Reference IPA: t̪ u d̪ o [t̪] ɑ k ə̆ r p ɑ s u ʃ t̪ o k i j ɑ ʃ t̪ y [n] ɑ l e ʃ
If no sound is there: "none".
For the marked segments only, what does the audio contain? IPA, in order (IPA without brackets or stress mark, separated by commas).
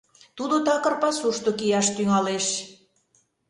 t̪, ŋ